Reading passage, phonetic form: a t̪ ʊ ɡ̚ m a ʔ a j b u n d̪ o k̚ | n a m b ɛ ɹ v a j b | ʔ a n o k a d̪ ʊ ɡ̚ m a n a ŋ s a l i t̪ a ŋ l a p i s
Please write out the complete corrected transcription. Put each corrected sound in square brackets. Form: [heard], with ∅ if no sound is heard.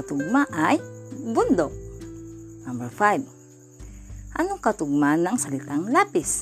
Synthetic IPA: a t̪ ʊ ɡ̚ m a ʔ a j b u n d̪ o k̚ | n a m b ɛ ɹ [f] a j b | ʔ a n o k a [t̪] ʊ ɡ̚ m a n a ŋ s a l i t̪ a ŋ l a p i s